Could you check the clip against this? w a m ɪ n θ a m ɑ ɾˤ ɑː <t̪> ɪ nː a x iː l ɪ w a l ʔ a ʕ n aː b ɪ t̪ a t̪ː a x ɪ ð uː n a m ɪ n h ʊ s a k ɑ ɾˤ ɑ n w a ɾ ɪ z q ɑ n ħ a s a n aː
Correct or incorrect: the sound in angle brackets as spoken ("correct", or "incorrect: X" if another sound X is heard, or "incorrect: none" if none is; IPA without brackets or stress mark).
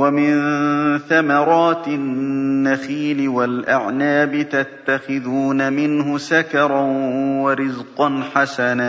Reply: correct